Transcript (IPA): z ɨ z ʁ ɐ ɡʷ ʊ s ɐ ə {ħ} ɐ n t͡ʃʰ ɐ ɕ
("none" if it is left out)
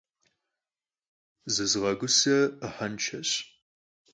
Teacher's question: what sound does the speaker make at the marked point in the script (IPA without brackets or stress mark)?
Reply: ħ